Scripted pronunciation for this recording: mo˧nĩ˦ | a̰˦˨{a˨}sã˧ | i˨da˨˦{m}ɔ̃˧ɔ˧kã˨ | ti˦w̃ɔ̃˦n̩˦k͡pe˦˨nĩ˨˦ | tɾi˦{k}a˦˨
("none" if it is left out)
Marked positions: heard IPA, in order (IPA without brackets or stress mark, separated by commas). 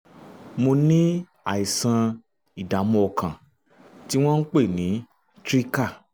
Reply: i˨, m, k